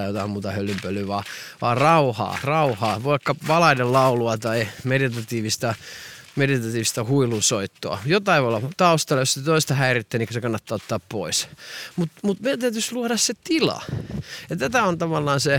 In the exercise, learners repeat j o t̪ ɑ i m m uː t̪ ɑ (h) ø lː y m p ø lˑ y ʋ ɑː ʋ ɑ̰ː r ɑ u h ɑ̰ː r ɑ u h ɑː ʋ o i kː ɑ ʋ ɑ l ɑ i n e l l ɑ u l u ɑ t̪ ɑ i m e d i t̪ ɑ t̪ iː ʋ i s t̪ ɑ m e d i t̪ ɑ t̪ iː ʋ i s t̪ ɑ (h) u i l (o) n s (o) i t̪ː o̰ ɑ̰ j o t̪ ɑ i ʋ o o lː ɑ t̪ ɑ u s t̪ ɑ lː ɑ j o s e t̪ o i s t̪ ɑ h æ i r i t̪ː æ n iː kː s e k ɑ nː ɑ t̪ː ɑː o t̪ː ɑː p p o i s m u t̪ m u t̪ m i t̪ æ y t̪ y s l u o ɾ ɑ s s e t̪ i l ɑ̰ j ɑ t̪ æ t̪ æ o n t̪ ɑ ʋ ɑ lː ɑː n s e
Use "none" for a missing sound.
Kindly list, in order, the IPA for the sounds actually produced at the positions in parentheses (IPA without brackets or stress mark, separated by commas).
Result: h, h, u, o